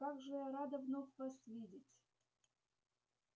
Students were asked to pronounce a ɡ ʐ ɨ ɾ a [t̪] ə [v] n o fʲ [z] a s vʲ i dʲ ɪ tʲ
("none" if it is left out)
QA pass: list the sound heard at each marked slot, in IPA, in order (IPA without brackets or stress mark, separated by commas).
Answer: d̪, v, v